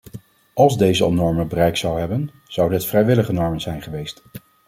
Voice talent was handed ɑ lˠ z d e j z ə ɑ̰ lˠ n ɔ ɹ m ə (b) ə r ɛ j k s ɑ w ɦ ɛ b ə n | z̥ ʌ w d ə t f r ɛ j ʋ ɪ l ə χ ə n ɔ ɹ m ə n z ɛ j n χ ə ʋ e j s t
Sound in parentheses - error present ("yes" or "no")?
no